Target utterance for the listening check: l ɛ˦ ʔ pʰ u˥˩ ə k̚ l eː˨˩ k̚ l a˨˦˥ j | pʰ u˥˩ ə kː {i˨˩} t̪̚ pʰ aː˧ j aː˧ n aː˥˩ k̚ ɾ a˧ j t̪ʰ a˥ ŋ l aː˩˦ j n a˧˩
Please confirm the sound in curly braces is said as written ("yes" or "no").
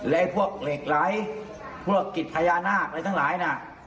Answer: yes